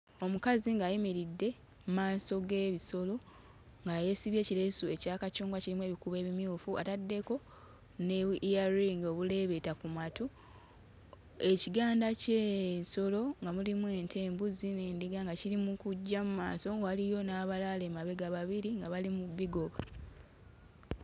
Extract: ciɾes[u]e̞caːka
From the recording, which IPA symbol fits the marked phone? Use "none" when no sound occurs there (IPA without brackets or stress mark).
u